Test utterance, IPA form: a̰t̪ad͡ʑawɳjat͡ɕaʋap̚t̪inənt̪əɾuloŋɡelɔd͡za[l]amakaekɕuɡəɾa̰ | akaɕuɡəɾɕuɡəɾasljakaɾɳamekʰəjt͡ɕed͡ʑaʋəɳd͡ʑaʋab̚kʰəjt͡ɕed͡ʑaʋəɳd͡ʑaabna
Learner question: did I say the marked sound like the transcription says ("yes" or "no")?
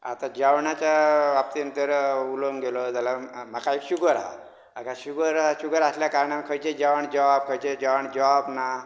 yes